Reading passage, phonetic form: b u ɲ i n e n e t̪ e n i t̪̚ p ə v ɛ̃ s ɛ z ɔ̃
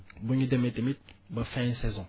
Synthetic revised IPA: b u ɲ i d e m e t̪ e m i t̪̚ b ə f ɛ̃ s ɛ z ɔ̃